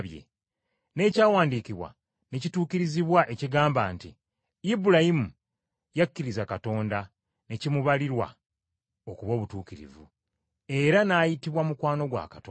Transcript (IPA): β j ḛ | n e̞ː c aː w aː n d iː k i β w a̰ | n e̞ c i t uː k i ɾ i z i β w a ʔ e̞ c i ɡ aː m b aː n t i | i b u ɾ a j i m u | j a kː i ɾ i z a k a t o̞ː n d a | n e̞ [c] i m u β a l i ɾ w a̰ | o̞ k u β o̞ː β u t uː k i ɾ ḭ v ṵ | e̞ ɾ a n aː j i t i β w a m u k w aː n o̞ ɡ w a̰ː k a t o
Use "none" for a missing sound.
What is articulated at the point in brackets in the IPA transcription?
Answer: c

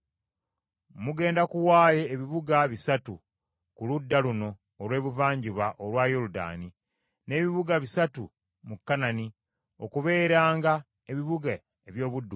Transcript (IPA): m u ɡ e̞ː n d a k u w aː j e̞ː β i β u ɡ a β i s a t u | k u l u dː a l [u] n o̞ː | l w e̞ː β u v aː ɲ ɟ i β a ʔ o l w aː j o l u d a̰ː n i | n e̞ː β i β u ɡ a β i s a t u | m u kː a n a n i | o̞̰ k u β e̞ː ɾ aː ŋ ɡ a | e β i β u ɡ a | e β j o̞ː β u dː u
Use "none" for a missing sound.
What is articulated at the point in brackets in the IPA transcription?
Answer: u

